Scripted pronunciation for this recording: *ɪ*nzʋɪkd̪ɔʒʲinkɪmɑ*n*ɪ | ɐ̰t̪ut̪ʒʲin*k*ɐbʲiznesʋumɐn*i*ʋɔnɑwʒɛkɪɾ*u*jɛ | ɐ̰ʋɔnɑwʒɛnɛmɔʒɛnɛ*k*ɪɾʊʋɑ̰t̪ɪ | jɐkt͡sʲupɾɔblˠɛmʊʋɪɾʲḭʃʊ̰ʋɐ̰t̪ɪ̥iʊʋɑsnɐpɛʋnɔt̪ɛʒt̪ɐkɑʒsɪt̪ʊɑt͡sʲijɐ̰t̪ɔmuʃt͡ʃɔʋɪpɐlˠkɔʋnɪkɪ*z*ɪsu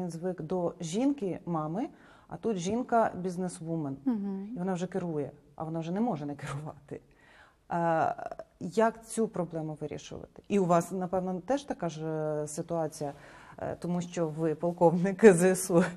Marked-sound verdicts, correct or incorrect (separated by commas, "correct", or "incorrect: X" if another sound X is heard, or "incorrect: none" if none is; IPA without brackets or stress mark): incorrect: i, incorrect: m, correct, correct, correct, correct, correct